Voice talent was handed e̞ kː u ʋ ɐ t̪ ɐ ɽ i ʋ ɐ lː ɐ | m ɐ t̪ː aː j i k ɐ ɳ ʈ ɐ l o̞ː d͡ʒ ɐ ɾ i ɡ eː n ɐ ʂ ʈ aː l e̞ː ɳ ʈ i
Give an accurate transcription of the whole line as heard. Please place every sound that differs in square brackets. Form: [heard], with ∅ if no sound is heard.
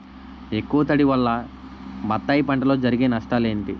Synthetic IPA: e̞ kː u ʋ ɐ t̪ ɐ ɽ i ʋ ɐ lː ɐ | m ɐ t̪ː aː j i [p] ɐ ɳ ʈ ɐ l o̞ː d͡ʒ ɐ ɾ i ɡ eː n ɐ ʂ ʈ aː l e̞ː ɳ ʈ i